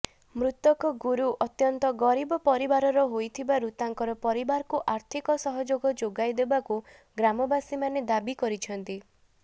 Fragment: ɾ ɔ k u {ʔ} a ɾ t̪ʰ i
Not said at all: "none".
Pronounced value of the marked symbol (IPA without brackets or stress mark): ʔ